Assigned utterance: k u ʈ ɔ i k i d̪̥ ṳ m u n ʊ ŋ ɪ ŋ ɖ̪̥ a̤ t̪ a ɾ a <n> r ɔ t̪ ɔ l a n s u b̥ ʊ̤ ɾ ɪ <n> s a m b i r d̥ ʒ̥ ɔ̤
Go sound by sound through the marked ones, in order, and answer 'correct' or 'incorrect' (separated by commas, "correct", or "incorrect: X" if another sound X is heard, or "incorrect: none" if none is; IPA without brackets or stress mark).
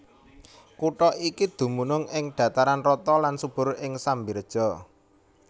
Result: correct, incorrect: ŋ